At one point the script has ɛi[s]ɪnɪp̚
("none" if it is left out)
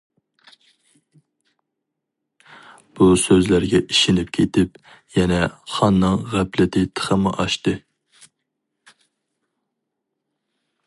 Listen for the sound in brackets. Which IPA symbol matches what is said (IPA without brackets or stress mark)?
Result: ʃ